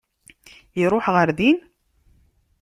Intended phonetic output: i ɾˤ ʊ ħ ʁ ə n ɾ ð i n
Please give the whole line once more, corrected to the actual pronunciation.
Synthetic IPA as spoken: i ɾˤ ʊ ħ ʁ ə ɾ ð i n